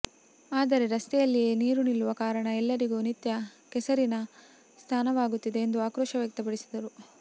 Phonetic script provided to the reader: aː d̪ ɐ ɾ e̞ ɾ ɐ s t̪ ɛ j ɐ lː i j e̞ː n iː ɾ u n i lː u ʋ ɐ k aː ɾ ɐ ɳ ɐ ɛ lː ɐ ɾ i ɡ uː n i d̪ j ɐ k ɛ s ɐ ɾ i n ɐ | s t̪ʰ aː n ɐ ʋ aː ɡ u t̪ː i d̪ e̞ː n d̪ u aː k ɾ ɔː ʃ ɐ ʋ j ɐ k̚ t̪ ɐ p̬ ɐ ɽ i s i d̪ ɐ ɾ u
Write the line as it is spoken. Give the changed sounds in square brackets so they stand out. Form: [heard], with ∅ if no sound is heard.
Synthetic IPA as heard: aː d̪ ɐ ɾ e̞ ɾ ɐ s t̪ ɛ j ɐ lː i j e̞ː n iː ɾ u n i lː u ʋ ɐ k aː ɾ ɐ ɳ ɐ ɛ lː ɐ ɾ i ɡ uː n i [t̪] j ɐ k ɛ s ɐ ɾ i n ɐ | s t̪ʰ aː n ɐ ʋ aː ɡ u t̪ː i d̪ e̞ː n d̪ u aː k ɾ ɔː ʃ ɐ ʋ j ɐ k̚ t̪ ɐ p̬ ɐ ɽ i s i d̪ ɐ ɾ u